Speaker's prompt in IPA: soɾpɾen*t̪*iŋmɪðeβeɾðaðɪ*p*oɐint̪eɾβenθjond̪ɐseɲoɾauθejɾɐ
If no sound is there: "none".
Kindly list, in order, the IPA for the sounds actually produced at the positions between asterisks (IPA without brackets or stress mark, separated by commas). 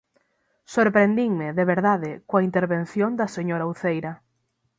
d̪, k